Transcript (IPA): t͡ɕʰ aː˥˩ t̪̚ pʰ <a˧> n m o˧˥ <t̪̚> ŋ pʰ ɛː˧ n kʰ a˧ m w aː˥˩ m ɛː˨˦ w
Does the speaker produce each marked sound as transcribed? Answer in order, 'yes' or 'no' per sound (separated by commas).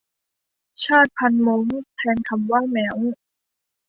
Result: yes, no